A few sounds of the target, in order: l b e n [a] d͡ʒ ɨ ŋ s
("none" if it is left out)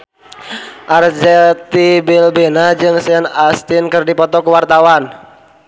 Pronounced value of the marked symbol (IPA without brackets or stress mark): a